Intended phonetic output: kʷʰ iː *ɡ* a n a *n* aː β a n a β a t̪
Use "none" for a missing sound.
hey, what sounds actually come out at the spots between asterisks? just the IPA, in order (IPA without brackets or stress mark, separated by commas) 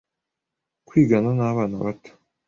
ɡ, n